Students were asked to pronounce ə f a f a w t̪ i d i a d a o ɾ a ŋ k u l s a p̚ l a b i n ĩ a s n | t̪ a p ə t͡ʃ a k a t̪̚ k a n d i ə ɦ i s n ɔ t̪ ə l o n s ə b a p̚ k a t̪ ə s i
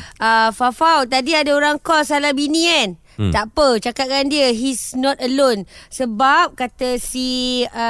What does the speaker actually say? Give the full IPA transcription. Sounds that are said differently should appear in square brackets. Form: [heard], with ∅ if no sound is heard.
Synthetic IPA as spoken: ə f a f a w t̪ [a] d i a d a o ɾ a ŋ k [ɔ] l s a [∅] l a b i n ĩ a [∅] n | t̪ a p ə t͡ʃ a k a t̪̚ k a n d i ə ɦ i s n ɔ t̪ ə l o n s ə b a p̚ k a t̪ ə s i